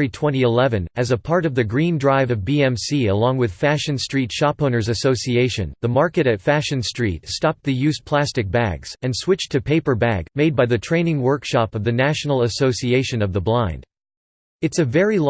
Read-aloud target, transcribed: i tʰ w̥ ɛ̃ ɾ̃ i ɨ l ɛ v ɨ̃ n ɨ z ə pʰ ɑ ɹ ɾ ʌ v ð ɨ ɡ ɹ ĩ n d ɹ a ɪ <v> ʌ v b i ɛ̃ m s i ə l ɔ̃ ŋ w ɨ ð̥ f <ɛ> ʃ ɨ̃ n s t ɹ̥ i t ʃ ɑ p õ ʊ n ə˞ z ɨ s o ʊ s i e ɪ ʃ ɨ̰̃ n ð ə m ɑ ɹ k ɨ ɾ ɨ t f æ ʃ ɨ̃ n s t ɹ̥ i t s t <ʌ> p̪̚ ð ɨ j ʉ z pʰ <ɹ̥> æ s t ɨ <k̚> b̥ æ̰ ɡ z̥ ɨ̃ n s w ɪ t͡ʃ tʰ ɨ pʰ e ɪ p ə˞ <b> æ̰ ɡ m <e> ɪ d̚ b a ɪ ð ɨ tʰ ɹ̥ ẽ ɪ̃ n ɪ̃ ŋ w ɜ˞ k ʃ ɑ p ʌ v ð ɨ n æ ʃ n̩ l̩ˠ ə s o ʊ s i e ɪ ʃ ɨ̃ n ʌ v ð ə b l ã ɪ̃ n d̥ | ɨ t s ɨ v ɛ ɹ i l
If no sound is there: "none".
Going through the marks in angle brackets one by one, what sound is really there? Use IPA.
v, æ, ɑ, l̥, k̚, b, e

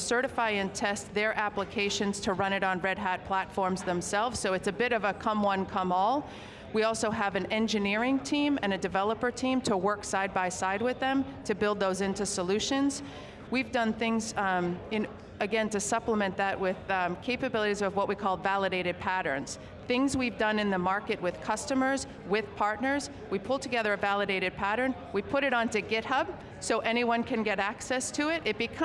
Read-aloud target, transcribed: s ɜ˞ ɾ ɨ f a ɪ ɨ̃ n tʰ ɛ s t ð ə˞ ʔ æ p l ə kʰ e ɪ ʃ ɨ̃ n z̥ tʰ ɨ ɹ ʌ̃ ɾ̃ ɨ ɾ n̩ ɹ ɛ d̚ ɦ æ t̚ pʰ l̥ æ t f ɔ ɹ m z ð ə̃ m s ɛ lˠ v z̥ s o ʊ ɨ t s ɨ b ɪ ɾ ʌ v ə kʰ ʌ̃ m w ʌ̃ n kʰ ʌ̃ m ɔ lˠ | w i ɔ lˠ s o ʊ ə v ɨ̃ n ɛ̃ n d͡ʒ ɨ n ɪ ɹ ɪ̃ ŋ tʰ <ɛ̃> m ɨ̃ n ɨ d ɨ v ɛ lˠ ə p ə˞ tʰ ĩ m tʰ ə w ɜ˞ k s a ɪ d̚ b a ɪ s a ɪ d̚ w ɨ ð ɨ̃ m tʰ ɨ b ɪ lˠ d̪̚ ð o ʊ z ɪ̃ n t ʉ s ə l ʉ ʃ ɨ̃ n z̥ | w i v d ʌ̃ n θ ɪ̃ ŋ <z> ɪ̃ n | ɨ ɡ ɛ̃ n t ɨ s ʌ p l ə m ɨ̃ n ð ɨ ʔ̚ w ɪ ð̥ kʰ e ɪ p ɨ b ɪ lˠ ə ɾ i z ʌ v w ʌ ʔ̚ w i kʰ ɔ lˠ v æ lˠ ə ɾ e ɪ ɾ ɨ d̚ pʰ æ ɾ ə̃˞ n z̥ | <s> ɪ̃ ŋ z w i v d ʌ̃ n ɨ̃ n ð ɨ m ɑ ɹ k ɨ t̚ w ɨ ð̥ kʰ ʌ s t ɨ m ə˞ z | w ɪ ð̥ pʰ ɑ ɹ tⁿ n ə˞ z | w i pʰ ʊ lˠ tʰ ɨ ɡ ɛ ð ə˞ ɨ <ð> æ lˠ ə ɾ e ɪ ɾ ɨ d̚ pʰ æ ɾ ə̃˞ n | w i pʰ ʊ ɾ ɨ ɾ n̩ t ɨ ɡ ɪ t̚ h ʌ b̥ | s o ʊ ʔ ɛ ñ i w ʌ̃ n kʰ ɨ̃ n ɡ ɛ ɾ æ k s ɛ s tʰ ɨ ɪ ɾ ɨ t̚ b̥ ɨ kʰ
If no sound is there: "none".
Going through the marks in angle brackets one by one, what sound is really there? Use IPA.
ĩ, z, θ, v

